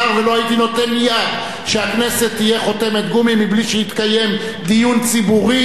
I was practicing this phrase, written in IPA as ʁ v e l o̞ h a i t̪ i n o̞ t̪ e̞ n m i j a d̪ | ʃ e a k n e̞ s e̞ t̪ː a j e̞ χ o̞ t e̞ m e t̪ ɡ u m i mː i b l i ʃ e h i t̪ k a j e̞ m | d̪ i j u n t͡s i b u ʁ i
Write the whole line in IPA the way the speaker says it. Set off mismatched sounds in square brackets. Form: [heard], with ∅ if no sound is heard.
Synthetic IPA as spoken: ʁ v e l o̞ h a i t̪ i n o̞ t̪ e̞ n m i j a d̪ | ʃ e a k n e̞ s e̞ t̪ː [i] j e̞ χ o̞ t e̞ m e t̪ ɡ u m i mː i b l i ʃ e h i t̪ k a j e̞ m | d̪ i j u n t͡s i b u ʁ i